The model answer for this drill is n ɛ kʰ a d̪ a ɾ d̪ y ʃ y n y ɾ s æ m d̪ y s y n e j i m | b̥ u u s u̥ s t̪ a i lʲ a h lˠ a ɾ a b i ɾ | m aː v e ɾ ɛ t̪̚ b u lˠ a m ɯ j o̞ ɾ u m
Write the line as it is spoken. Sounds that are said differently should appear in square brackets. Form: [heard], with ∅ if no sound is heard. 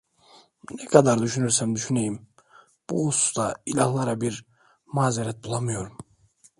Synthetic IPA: n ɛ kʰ a d̪ a ɾ d̪ y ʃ y n y ɾ s æ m d̪ y [ʃ] y n e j i m | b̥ u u s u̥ s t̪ a i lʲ a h lˠ a ɾ a b i ɾ | m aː [z] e ɾ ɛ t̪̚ b u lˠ a m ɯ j o̞ ɾ u m